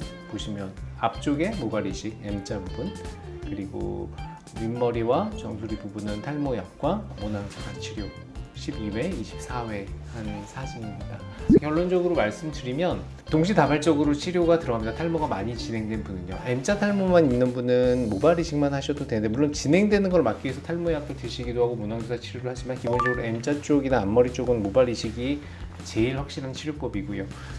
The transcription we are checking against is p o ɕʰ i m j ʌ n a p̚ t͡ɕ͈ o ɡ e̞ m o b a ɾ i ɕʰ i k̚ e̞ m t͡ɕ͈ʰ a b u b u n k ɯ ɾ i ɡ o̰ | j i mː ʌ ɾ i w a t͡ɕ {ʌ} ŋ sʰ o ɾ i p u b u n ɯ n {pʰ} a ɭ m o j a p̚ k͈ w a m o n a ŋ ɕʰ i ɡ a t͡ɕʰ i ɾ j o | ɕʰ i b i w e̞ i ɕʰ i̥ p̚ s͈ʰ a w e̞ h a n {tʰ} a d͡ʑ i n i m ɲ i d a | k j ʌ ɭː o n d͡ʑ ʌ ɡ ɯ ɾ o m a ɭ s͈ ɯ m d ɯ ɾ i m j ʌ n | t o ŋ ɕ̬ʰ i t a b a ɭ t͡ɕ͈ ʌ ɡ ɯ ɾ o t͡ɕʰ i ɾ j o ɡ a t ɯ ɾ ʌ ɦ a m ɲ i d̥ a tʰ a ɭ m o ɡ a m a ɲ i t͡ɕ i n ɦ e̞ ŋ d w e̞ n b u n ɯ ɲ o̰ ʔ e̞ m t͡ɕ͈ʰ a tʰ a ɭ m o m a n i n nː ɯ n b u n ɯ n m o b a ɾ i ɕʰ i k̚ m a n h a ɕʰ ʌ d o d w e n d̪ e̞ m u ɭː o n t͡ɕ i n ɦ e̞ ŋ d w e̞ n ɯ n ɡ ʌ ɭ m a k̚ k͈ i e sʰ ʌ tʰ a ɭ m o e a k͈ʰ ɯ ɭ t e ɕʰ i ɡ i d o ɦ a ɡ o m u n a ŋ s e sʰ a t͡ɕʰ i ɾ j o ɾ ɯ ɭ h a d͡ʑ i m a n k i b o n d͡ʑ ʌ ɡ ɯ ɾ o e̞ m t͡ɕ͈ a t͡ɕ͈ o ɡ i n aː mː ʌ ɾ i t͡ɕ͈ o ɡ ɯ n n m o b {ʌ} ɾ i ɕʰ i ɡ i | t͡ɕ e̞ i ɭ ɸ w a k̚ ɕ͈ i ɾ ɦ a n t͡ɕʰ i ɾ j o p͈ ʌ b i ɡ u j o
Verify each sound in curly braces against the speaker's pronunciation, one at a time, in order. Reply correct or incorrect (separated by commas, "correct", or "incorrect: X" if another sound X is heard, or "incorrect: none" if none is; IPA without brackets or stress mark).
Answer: correct, incorrect: tʰ, incorrect: sʰ, incorrect: a